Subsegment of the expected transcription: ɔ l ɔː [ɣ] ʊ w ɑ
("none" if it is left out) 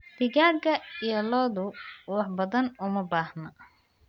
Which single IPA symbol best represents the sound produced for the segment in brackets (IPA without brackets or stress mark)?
ð